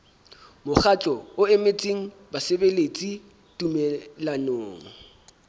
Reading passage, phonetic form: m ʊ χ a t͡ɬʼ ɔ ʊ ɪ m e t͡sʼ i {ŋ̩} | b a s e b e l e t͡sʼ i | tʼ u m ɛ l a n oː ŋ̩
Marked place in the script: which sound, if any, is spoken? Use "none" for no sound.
ŋ̩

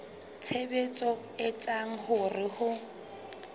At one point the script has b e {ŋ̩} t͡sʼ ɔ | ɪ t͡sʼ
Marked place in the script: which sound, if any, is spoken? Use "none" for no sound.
none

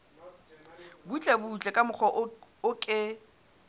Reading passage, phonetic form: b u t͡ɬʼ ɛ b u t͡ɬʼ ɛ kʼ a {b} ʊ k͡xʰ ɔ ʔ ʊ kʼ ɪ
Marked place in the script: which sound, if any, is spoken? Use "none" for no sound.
m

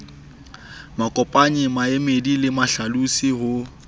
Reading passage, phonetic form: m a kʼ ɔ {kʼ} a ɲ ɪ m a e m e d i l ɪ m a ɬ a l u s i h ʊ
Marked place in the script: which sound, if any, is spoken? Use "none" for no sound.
pʼ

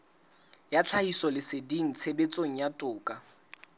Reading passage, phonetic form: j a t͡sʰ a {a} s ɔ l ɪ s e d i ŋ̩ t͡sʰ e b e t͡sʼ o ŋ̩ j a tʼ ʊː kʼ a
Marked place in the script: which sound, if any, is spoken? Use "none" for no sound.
i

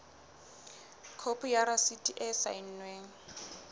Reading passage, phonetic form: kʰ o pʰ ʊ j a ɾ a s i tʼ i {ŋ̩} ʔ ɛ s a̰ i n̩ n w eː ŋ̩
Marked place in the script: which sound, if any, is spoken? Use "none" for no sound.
none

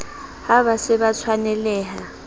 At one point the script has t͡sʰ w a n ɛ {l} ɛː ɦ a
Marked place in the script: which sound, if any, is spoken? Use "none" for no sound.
l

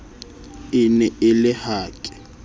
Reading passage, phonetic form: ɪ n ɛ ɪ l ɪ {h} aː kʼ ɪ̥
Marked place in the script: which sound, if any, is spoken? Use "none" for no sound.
h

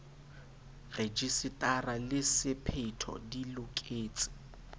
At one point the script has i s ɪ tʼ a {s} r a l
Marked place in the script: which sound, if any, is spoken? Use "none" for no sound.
none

